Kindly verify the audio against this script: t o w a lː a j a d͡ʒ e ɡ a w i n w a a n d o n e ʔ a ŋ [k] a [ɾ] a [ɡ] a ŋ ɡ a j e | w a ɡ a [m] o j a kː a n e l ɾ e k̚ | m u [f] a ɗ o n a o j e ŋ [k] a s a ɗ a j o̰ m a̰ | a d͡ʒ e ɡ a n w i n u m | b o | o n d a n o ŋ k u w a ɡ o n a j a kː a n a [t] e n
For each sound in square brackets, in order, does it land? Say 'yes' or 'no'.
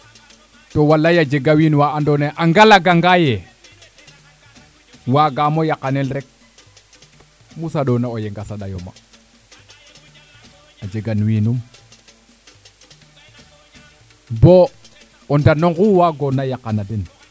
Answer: no, no, yes, yes, no, no, no

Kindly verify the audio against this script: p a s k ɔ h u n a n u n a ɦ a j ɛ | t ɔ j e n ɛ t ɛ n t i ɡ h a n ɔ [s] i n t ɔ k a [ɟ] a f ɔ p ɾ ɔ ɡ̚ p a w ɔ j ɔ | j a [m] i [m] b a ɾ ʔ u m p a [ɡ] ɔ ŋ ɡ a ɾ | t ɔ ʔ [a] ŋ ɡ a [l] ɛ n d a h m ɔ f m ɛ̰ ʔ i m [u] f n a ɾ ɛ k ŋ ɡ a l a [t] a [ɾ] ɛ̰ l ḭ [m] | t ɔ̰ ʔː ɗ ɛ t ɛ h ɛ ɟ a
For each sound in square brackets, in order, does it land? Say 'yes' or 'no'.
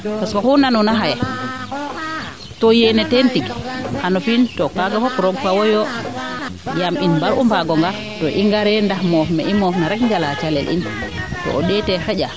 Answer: no, no, yes, no, yes, no, no, no, no, no, no

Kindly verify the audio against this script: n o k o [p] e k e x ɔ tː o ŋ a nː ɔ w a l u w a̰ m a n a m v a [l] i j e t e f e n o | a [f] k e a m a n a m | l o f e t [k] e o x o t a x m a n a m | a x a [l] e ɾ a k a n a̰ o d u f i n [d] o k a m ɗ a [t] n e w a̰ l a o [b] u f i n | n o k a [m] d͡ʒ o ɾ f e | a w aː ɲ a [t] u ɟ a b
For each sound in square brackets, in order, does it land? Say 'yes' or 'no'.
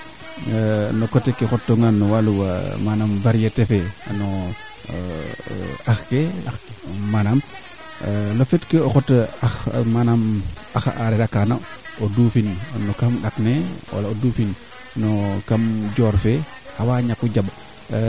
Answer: no, no, no, yes, no, no, no, no, yes, no

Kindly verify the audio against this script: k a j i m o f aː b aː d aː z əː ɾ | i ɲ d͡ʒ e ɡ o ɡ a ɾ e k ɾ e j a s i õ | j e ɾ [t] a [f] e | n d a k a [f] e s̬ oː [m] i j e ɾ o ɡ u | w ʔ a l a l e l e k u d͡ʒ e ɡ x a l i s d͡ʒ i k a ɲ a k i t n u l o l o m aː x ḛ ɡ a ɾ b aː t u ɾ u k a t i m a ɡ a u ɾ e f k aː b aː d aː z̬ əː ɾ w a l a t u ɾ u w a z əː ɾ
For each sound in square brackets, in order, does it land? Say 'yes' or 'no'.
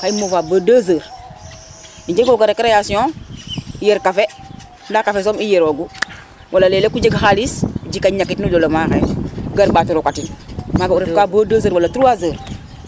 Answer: no, yes, yes, yes

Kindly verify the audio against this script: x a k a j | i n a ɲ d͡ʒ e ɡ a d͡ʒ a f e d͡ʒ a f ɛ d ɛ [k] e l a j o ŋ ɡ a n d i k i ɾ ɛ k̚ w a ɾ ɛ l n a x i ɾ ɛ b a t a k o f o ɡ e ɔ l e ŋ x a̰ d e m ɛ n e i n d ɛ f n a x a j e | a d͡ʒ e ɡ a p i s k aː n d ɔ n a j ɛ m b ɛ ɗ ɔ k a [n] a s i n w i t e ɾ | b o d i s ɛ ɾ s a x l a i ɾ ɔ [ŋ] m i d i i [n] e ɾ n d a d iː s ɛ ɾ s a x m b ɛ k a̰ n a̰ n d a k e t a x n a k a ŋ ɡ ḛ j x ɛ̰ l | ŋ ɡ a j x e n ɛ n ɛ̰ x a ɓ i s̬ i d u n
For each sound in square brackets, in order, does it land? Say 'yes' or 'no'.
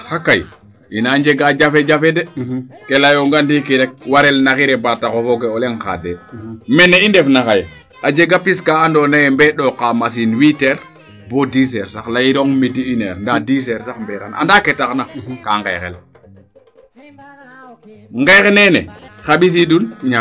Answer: yes, no, yes, yes

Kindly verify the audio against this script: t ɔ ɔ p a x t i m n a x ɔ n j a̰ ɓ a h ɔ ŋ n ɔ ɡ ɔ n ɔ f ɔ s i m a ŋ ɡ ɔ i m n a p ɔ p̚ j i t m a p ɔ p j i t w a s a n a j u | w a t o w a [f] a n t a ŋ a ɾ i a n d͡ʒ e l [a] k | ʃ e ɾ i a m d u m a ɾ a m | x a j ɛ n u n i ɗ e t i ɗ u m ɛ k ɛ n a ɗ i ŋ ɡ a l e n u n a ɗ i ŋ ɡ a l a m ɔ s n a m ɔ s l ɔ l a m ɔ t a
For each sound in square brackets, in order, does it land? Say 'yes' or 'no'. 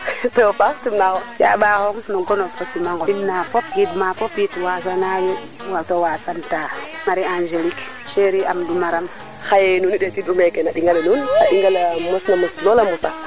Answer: no, no

